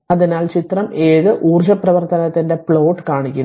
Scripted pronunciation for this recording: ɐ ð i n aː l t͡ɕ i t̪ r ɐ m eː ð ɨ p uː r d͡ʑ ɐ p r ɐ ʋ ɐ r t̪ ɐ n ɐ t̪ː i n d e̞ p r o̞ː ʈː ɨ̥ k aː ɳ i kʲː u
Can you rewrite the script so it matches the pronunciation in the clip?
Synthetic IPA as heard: ɐ ð i n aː l t͡ɕ i t̪ r ɐ m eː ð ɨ ʔ uː r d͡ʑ ɐ p r ɐ ʋ ɐ r t̪ ɐ n ɐ t̪ː i n d e̞ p ɭ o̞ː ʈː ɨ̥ k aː ɳ i kʲː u